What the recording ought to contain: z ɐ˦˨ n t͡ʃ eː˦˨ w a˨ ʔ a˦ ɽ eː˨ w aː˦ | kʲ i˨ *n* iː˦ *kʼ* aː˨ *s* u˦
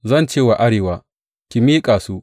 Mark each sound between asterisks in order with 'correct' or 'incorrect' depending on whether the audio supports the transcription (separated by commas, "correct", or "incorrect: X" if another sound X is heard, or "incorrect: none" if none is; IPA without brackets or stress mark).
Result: incorrect: m, correct, correct